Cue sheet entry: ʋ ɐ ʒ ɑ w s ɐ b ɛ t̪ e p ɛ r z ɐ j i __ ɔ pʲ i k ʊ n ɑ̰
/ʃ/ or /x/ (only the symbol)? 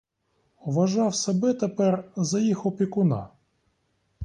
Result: x